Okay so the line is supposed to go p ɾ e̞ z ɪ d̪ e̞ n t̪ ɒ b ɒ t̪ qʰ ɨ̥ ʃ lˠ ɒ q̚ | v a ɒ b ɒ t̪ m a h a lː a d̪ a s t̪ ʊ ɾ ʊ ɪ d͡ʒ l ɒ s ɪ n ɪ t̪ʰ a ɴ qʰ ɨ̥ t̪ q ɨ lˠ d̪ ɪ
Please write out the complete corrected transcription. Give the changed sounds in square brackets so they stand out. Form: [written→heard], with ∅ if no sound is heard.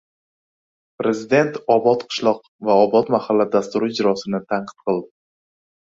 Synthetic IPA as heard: p ɾ e̞ z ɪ d̪ e̞ n t̪ ɒ b ɒ t̪ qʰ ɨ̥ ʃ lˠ ɒ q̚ | v a ɒ b ɒ t̪ m a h a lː a d̪ a s t̪ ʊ ɾ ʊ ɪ d͡ʒ [l→ɾ] ɒ s ɪ n ɪ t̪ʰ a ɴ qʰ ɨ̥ t̪ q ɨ lˠ d̪ ɪ